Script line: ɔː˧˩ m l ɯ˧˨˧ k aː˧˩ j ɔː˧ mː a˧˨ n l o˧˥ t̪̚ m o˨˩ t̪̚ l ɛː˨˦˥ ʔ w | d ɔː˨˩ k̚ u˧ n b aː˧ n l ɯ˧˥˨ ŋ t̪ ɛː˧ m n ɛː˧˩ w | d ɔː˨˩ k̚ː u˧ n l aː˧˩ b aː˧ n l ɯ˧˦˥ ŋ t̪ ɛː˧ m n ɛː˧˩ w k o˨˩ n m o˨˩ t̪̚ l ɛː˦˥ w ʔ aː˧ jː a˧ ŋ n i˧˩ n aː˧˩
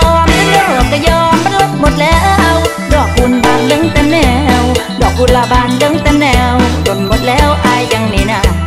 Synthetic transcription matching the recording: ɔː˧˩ m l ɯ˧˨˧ k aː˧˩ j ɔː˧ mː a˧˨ n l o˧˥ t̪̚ m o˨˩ t̪̚ l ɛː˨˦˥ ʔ w | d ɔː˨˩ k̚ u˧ n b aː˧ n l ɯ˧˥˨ ŋ t̪ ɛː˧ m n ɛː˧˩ w | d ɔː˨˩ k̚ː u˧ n l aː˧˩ b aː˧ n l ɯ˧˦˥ ŋ t̪ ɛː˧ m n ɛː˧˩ w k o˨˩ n m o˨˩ t̪̚ l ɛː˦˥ w ʔ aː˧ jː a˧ ŋ n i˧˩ n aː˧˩